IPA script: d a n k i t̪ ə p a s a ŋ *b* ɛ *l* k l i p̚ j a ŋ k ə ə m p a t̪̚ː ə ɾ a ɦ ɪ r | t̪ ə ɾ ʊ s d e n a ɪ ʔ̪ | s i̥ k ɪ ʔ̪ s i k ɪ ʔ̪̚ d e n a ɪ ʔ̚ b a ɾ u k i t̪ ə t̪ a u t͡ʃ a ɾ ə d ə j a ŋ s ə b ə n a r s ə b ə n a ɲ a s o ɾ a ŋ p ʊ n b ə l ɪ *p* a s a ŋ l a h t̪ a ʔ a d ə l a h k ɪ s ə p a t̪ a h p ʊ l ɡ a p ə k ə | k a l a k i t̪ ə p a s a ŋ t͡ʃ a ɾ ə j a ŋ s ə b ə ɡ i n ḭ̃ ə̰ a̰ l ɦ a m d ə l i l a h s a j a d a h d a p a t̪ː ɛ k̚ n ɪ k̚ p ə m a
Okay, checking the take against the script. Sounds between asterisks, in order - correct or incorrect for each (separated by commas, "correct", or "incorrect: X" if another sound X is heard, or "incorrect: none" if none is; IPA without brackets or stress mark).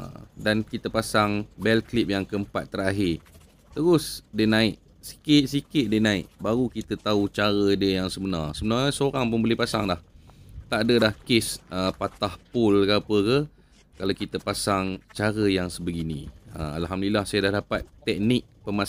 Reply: correct, correct, correct